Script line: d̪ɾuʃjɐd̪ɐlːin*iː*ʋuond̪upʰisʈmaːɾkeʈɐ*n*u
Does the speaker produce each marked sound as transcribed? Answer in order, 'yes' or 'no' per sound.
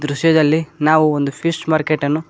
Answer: no, no

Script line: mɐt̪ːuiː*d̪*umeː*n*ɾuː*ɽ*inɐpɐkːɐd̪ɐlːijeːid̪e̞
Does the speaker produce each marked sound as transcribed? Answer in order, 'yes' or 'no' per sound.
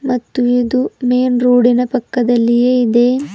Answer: yes, yes, yes

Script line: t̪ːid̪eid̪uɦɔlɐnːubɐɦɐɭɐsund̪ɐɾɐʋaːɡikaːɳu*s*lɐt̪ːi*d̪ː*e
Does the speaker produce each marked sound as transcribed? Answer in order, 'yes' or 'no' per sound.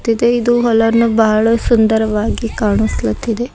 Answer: yes, no

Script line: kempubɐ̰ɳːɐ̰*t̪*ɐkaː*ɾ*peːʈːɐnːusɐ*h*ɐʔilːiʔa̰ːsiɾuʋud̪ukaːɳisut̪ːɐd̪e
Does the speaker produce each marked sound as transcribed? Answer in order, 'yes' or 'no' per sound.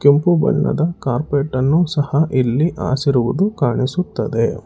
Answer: no, yes, yes

